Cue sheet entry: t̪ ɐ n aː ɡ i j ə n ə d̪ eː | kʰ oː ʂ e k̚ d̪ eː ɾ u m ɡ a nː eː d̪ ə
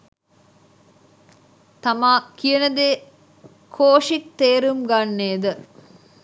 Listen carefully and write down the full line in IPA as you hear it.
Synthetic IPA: t̪ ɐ m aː k i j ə n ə d̪ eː | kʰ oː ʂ i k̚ t̪ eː ɾ u m ɡ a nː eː d̪ ə